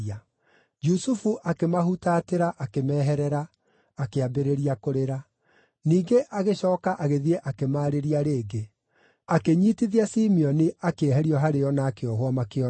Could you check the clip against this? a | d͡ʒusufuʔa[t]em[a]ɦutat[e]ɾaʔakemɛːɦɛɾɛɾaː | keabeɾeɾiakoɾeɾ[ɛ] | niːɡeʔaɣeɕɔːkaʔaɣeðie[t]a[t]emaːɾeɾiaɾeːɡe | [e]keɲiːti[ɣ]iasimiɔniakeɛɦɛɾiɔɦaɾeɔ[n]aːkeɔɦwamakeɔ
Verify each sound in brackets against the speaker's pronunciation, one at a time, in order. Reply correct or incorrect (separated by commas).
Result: incorrect, correct, correct, incorrect, incorrect, incorrect, incorrect, incorrect, correct